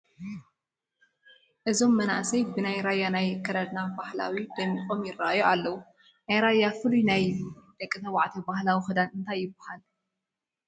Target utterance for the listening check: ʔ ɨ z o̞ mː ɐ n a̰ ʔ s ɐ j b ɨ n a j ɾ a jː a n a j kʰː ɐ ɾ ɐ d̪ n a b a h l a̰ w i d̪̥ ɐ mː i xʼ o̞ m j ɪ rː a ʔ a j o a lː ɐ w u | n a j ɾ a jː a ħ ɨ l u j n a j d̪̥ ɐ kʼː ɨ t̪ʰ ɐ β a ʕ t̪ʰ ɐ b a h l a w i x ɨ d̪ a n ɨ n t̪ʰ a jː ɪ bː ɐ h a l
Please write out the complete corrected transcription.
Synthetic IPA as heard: ʔ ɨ z o̞ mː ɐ n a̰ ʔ s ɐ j b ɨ n a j ɾ a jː a n a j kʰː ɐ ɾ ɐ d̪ n a b a h l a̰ w i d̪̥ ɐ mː i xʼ o̞ m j ɪ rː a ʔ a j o a lː ɐ w u | n a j ɾ a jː a f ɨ l u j n a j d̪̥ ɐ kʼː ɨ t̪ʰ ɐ w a ʕ t̪ʰ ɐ b a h l a w i x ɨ d̪ a n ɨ n t̪ʰ a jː ɪ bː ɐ h a l